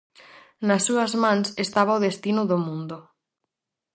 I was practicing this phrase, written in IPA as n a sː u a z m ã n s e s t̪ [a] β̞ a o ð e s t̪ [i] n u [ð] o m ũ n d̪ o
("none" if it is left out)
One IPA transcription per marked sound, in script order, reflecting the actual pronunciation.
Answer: a, i, ð

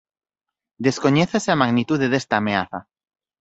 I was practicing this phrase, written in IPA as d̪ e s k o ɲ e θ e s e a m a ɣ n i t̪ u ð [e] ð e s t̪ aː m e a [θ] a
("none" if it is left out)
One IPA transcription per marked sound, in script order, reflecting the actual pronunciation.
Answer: e, θ

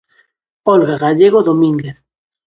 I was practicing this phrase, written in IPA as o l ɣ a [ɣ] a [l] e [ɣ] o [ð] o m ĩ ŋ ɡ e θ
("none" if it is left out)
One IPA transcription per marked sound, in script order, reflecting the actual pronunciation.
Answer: ɣ, ʎ, ɣ, ð

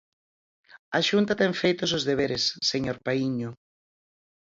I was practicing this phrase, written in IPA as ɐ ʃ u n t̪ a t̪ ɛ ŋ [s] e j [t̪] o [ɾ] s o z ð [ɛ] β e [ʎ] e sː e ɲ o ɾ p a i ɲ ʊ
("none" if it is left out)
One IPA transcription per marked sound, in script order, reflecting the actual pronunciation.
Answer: f, t̪, none, e, ɾ

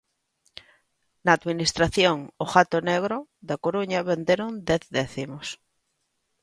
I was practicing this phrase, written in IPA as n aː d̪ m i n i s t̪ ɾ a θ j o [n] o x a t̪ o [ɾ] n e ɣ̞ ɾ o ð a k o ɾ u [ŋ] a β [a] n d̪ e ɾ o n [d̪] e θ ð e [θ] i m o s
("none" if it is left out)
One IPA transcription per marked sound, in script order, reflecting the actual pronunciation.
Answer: ŋ, none, ɲ, e, d̪, θ

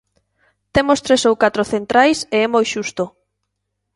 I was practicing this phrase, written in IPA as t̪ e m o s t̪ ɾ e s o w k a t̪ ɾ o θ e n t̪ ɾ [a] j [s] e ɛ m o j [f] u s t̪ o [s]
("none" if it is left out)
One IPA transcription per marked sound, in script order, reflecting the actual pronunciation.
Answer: a, s, ʃ, none

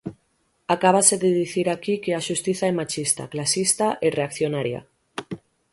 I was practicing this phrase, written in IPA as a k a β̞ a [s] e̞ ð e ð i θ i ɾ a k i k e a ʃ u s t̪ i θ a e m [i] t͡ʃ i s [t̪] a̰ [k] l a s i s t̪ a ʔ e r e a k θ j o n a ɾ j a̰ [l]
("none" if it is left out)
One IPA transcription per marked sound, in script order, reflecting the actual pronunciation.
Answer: s, a, t̪, k, none

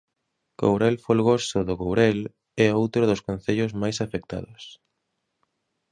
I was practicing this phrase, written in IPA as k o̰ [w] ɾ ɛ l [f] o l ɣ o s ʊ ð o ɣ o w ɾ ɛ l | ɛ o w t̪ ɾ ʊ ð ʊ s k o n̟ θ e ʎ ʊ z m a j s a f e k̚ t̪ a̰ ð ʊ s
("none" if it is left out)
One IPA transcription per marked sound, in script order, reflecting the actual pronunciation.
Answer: w, f

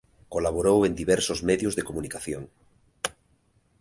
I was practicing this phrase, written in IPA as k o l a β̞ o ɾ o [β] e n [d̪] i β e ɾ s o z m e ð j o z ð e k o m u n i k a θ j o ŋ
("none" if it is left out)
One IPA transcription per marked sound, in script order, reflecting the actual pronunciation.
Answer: w, d̪

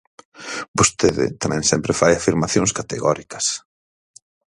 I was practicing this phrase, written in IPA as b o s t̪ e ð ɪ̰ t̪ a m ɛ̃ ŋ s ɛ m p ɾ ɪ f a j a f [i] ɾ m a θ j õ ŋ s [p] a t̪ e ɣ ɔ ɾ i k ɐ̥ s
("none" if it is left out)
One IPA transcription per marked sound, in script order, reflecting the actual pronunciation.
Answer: i, k

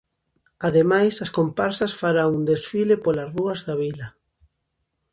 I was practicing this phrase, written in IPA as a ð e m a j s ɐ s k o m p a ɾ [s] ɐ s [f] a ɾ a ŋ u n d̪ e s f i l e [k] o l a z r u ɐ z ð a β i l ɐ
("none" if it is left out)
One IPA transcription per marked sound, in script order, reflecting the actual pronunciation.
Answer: s, f, p

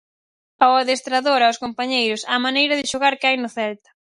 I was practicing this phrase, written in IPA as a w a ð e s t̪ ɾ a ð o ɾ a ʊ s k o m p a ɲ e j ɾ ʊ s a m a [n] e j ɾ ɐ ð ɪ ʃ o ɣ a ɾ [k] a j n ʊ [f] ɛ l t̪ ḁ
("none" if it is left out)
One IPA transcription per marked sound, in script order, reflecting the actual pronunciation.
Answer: n, k, θ

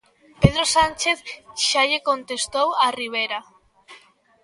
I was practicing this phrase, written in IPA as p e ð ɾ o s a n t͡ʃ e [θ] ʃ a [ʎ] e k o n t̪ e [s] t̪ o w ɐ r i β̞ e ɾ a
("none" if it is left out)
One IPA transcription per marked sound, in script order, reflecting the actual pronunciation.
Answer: θ, ʎ, s

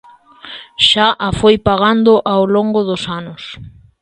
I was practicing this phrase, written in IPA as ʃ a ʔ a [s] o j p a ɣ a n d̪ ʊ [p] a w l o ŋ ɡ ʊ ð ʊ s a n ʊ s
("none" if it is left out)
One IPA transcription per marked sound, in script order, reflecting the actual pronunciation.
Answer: f, ʔ

